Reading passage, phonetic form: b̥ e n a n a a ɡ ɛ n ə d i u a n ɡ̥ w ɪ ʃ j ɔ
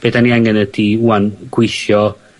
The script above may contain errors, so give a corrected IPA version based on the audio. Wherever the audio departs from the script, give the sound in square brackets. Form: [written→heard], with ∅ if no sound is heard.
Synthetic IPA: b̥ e [n→d] a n [a→i] a [ɡ→ŋ] ɛ n ə d i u a n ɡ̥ w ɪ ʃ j ɔ

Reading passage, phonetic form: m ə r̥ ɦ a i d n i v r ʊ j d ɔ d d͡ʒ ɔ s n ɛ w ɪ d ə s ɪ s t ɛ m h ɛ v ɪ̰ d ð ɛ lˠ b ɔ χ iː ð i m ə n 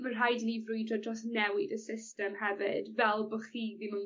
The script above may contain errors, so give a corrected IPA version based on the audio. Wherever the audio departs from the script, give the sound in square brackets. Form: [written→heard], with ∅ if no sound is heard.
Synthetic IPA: m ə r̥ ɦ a [i→j] d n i v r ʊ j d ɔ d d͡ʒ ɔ s n ɛ w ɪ d ə s ɪ s t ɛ m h ɛ v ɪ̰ d [ð→v] ɛ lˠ b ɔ χ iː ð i m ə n

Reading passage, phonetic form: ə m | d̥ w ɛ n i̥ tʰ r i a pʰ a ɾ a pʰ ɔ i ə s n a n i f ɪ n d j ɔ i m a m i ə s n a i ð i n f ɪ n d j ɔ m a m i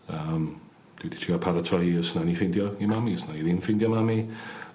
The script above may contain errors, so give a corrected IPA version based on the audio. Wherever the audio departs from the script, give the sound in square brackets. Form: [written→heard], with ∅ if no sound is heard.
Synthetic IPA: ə m | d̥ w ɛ [n→d] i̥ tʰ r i a pʰ a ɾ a [pʰ→tʰ] ɔ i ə s n a n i f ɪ n d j ɔ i m a m i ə s n a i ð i n f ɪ n d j ɔ m a m i

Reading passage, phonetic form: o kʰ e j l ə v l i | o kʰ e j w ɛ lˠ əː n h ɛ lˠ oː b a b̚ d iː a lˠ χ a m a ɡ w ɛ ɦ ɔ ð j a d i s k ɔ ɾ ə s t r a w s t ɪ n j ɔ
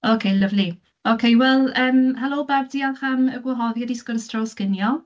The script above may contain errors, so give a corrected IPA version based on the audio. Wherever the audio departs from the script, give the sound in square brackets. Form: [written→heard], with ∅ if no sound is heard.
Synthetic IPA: o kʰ e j l ə v l i | o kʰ e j w ɛ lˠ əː [n→m] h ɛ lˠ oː b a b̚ d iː a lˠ χ a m [a→ə] ɡ w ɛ ɦ ɔ ð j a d i s k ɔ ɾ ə s t r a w s [t→k] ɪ n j ɔ

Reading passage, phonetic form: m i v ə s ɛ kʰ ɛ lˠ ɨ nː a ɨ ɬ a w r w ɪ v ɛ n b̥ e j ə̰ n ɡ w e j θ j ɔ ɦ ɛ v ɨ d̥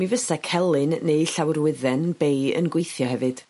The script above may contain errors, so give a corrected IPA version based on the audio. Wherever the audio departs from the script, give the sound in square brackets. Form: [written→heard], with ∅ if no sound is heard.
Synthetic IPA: m i v ə s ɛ kʰ ɛ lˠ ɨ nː [a→e] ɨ ɬ a w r w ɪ [v→ð] ɛ n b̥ e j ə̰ n ɡ w e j θ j ɔ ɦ ɛ v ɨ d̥

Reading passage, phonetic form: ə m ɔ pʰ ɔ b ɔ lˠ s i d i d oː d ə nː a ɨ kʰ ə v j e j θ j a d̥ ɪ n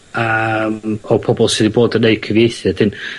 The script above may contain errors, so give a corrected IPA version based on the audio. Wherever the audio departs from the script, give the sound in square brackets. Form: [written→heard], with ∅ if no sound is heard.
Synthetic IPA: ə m ɔ pʰ ɔ b ɔ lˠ s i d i [d→b] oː d ə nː [a→e] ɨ kʰ ə v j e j θ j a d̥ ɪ n

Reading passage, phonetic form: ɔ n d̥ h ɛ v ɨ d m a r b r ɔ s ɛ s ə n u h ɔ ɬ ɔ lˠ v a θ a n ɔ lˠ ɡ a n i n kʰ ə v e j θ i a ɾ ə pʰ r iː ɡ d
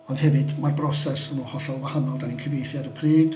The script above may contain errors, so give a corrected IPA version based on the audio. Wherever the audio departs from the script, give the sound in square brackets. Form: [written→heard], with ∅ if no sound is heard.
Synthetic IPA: ɔ n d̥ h ɛ v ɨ d m a r b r ɔ s ɛ s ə n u h ɔ ɬ ɔ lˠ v a [θ→h] a n ɔ lˠ [ɡ→d] a n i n kʰ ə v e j θ [i→j] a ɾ ə pʰ r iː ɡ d

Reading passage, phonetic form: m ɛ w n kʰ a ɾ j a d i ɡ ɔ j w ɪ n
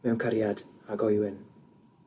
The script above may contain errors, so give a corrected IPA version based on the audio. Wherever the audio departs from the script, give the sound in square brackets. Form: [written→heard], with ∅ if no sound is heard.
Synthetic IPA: m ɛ w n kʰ a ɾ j a d [i→a] ɡ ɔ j w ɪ n

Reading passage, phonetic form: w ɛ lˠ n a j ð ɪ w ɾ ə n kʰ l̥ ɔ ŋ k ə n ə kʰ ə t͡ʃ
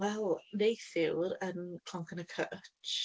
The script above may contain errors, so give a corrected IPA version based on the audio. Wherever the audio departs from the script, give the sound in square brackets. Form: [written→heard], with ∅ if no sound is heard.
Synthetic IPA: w ɛ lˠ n [a→e] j [ð→θ] ɪ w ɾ ə n kʰ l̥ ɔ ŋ k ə n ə kʰ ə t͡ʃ

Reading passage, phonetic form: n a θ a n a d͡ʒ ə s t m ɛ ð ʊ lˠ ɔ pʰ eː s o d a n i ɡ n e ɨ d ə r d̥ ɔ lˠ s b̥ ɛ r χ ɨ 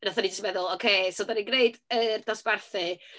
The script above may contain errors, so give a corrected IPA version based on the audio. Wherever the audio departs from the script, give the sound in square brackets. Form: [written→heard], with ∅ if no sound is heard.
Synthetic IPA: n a θ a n [a→i] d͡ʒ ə s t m ɛ ð ʊ lˠ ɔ [pʰ→kʰ] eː s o d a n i ɡ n e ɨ d ə r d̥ ɔ [lˠ→∅] s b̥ [ɛ→a] r [χ→θ] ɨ

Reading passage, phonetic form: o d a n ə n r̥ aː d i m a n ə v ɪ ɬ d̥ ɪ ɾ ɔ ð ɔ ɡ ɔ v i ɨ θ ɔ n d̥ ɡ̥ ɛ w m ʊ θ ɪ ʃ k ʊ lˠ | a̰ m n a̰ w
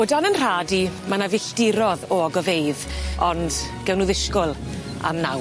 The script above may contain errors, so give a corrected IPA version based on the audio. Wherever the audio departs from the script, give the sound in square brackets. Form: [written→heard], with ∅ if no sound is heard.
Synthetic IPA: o d a n ə n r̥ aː d i m a n [ə→a] v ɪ ɬ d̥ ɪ ɾ ɔ ð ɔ ɡ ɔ v [i→e] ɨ [θ→ð] ɔ n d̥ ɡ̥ ɛ w [m→n] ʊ [θ→ð] ɪ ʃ k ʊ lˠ | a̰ m n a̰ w

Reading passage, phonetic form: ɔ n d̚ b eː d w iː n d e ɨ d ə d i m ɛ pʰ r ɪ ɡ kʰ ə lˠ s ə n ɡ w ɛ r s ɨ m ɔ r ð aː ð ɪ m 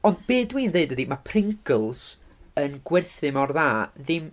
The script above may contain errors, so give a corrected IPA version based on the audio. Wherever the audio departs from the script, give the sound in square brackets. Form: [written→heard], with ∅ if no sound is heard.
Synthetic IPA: ɔ n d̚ b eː d w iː n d e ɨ d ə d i m [ɛ→a] pʰ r ɪ [ɡ→ŋ] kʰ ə lˠ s ə n ɡ w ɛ r [s→θ] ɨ m ɔ r ð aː ð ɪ m

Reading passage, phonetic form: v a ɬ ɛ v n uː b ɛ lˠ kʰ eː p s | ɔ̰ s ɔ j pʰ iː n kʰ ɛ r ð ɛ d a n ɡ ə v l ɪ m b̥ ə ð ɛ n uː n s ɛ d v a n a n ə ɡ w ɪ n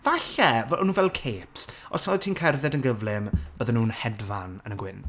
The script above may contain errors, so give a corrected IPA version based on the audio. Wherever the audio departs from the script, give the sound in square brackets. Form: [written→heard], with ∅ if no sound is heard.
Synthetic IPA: v a ɬ ɛ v n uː [b→v] ɛ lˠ kʰ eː p s | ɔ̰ s ɔ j [pʰ→tʰ] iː n kʰ ɛ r ð ɛ d [a→ə] n ɡ ə v l ɪ m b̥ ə ð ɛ n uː n [s→h] ɛ d v a n [a→ə] n ə ɡ w ɪ n

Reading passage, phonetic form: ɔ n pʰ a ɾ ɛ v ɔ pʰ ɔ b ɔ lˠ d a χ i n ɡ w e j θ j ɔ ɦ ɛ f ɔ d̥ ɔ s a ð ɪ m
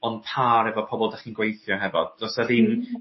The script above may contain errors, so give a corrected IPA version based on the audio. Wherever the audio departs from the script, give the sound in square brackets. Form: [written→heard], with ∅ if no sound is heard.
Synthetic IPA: ɔ n pʰ a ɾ ɛ v ɔ pʰ ɔ b ɔ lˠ d a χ i n ɡ w e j θ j ɔ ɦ ɛ [f→v] ɔ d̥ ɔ s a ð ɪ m

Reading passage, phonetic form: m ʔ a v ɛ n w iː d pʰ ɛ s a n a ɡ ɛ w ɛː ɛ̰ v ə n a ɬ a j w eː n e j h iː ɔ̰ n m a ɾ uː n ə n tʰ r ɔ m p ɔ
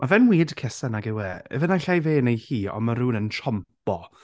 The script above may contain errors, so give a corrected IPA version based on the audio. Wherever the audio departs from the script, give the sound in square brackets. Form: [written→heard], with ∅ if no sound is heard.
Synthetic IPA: m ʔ a v ɛ n w iː d [pʰ→kʰ] ɛ s a n a ɡ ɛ w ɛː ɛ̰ v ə n a ɬ a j [w→v] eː n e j h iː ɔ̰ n m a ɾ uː n ə n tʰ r ɔ m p ɔ

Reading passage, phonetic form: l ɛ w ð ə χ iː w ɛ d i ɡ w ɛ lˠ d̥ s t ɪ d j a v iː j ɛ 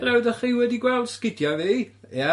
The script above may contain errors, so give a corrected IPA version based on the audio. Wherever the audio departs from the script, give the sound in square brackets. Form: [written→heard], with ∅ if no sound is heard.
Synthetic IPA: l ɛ w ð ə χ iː w ɛ d i ɡ w ɛ lˠ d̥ s [t→k] ɪ d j a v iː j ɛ

